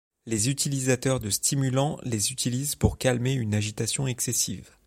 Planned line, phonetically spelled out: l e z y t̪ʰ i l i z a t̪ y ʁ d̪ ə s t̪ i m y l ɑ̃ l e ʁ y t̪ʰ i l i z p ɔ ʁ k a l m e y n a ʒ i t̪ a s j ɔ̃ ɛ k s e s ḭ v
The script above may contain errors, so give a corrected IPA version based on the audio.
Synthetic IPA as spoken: l e z y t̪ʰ i l i z a t̪ œ ʁ d̪ ə s t̪ i m y l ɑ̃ l e z y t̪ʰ i l i z p u ʁ k a l m e y n a ʒ i t̪ a s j ɔ̃ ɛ k s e s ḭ v